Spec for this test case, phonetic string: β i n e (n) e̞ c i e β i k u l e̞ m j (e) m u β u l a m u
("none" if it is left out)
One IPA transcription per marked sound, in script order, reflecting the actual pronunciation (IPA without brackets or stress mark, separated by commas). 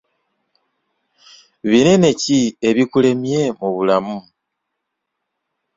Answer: n, e